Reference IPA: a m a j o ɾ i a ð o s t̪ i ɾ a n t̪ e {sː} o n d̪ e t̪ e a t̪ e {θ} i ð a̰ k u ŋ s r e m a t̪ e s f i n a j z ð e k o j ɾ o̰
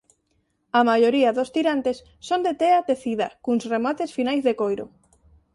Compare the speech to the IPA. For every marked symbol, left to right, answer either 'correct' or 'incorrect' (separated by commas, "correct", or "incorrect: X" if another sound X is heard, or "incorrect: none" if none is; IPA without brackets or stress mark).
correct, correct